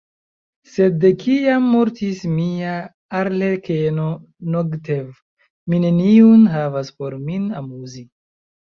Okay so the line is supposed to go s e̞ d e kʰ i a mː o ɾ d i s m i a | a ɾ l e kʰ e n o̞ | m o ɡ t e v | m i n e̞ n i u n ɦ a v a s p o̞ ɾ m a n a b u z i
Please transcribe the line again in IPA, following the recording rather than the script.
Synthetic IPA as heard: s e̞ d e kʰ i a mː o ɾ t i s m i a | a ɾ l e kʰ e n o̞ | n o ɡ t e v | m i n e̞ n i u n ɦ a v a s p o̞ ɾ m i n a m u z i